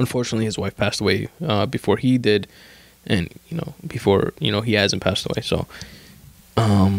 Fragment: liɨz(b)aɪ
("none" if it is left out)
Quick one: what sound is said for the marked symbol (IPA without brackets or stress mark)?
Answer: w